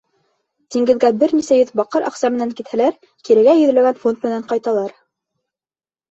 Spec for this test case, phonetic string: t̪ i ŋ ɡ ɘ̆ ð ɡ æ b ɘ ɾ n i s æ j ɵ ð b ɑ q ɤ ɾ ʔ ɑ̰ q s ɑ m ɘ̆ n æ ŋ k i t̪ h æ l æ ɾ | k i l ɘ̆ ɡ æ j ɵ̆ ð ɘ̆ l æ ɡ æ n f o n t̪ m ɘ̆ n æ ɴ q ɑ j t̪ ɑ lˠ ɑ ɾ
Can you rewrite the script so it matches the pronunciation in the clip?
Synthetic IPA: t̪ i ŋ ɡ ɘ̆ ð ɡ æ b ɘ ɾ n i s æ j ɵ ð b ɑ q ɤ ɾ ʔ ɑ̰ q s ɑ m ɘ̆ n æ ŋ k i t̪ h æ l æ ɾ | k i ɾ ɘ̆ ɡ æ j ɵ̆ ð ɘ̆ l æ ɡ æ n f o n t̪ m ɘ̆ n æ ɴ q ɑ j t̪ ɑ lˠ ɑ ɾ

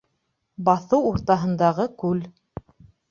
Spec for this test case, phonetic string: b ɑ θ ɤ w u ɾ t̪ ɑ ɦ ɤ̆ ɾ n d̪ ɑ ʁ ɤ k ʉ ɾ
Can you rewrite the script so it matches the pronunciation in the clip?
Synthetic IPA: b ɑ θ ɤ w u ɾ t̪ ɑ ɦ ɤ̆ n d̪ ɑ ʁ ɤ k ʉ l

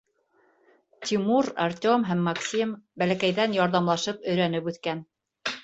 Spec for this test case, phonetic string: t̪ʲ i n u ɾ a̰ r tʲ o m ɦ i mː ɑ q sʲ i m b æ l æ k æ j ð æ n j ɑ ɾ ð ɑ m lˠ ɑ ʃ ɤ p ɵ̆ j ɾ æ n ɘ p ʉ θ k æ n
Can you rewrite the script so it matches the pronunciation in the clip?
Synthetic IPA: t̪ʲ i m u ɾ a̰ r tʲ o m ɦ æ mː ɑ k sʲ i m b æ l æ k æ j ð æ n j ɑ ɾ ð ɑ m lˠ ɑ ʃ ɤ p ɵ̆ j ɾ æ n ɘ p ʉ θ k æ n

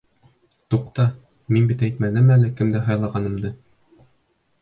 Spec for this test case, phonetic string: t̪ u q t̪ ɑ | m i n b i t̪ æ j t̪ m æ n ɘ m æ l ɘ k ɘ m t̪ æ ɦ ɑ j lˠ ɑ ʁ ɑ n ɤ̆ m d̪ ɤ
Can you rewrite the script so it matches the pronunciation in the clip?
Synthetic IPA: t̪ u q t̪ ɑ | m i n b i t̪ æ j t̪ m æ n ɘ m æ l ɘ k ɘ m d̪ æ ɦ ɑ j lˠ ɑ ʁ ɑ n ɤ̆ m d̪ ɤ

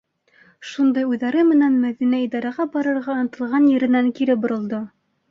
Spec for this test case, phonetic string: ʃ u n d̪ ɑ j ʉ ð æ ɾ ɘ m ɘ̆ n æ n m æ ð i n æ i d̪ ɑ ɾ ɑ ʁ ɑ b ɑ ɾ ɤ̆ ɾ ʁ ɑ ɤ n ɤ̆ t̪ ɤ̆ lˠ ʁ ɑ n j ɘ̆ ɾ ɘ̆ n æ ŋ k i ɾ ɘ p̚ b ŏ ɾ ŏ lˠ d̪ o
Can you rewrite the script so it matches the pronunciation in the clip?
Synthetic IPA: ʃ u n d̪ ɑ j ʉ ð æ ɾ ɘ m ɘ̆ n æ n m æ ð i n æ i d̪ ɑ ɾ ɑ ʁ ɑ b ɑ ɾ ɤ̆ ɾ ʁ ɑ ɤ n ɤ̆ t̪ ɤ̆ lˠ ʁ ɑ n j ɘ̆ ɾ ɘ̆ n æ ŋ k i ɾ ɘ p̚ b ŏ ɾ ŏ lˠ d̪ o

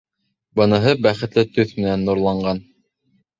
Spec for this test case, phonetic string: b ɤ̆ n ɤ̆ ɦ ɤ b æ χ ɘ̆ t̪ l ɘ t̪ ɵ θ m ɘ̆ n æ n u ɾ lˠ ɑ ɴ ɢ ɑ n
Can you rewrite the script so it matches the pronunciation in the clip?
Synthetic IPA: b ɤ̆ n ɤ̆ ɦ ɤ b æ χ ɘ̆ t̪ l ɘ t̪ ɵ θ m ɘ̆ n æ nː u ɾ lˠ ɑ ɴ ɢ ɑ n

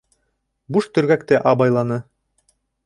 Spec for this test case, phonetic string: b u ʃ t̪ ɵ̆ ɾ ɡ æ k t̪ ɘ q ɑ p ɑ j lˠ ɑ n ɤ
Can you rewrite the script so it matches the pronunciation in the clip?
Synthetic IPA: b u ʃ t̪ ɵ̆ ɾ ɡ æ k t̪ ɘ ʔ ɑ b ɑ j lˠ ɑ n ɤ

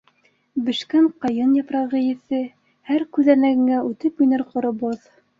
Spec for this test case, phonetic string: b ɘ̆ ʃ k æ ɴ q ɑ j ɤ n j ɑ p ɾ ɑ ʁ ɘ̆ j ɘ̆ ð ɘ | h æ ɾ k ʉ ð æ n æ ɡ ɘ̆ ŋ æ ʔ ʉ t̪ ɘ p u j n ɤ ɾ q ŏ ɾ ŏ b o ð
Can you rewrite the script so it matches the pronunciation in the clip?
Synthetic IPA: b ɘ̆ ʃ k æ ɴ q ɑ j ɤ n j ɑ p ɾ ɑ ʁ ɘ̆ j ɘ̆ θ ɘ | h æ ɾ k ʉ ð æ n æ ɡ ɘ̆ ŋ æ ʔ ʉ t̪ ɘ p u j n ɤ ɾ q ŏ ɾ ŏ b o ð

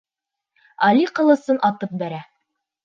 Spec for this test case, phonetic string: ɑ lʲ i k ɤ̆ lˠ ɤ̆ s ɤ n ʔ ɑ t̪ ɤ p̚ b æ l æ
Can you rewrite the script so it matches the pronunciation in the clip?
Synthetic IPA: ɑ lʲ i q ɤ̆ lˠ ɤ̆ s ɤ n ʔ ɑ t̪ ɤ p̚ b æ ɾ æ

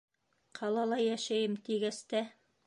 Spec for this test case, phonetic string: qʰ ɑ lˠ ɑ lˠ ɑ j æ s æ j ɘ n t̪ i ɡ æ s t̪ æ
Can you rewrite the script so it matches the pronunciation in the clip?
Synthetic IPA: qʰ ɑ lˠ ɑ lˠ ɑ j æ ʃ æ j ɘ m t̪ i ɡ æ s t̪ æ

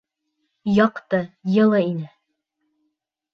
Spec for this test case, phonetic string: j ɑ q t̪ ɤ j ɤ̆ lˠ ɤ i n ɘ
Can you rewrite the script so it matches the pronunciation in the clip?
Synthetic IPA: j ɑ q t̪ ɤ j ɤ̆ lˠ ɤ i n ɘ

